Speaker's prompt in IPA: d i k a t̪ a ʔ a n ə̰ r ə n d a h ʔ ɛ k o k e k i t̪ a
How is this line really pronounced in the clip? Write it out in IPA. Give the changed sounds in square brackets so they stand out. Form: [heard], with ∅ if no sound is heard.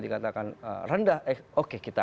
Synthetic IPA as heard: d i k a t̪ a [k] a n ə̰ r ə n d a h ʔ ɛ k o k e k i t̪ a